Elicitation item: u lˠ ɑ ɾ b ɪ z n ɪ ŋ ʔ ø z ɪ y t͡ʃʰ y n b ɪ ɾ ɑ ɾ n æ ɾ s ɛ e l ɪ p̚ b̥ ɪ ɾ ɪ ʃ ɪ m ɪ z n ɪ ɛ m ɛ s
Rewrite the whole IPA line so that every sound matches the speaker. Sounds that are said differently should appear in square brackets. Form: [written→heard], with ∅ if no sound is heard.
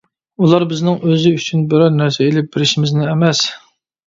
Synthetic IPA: u lˠ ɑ ɾ b ɪ z n ɪ ŋ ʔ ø z ɪ y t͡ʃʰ y n b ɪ ɾ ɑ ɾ n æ ɾ s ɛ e l ɪ p̚ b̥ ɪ ɾ ɪ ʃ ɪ m ɪ z n ɪ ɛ m ɛ s